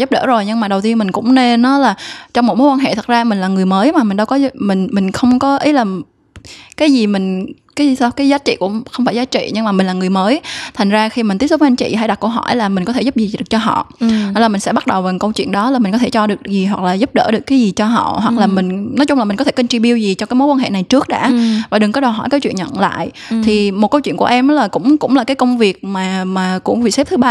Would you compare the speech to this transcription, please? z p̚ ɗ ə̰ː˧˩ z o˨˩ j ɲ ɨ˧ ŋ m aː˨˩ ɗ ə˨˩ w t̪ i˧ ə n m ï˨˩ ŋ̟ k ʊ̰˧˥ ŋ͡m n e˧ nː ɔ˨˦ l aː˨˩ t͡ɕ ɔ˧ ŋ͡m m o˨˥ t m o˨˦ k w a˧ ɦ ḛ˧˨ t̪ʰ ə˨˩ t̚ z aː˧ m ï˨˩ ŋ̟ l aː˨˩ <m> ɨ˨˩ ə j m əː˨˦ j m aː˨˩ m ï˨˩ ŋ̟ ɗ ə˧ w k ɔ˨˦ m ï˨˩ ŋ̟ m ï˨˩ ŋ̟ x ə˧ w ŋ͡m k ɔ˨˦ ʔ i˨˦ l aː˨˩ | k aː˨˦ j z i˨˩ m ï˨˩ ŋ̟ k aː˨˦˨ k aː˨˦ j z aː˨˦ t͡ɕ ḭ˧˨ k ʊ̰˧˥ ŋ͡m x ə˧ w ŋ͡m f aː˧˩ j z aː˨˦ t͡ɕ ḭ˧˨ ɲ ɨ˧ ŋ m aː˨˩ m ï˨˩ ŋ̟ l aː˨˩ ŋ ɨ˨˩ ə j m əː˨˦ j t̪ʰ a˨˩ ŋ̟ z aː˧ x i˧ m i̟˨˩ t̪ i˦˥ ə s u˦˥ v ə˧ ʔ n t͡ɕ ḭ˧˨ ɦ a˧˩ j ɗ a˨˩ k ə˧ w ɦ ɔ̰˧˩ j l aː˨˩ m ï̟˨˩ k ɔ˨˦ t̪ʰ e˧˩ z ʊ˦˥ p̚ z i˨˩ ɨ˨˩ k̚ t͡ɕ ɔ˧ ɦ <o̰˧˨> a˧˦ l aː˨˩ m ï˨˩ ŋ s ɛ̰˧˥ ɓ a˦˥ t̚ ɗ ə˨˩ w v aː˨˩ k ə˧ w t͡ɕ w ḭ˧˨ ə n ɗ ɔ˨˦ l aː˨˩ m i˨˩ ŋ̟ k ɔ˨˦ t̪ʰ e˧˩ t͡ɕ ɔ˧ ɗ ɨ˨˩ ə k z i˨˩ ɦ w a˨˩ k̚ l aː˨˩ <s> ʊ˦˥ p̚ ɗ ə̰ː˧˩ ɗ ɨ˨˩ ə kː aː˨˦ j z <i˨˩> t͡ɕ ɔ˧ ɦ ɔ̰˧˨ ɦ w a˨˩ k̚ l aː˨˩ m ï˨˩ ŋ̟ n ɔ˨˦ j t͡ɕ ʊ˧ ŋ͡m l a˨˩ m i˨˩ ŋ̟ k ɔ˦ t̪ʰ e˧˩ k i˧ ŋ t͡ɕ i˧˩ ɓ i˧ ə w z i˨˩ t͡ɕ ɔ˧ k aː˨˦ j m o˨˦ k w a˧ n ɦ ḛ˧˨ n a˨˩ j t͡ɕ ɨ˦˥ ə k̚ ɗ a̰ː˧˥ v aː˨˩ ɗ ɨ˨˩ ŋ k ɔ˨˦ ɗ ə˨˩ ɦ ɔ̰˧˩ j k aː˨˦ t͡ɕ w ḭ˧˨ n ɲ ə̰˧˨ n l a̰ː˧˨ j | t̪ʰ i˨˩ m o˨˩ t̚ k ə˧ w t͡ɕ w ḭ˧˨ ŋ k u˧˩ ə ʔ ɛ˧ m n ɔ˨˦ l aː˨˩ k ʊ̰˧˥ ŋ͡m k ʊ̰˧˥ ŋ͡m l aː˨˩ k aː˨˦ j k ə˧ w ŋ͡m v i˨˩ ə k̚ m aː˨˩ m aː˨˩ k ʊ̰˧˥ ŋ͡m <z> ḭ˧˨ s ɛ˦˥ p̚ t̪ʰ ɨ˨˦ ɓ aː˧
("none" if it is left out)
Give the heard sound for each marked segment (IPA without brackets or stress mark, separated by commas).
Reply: ŋ, ɔ̰˧˨, z, i˨˩, v